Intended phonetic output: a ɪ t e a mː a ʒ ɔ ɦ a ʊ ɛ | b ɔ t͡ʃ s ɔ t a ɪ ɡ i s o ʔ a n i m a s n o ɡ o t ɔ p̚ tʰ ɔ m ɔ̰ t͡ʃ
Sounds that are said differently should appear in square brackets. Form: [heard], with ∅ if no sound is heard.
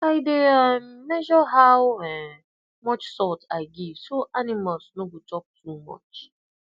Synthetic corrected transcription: a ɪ [d] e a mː [ɛ] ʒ ɔ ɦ a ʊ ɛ | [m] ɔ t͡ʃ s ɔ t a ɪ ɡ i s o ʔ a n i m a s n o ɡ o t ɔ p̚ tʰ [u] m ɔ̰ t͡ʃ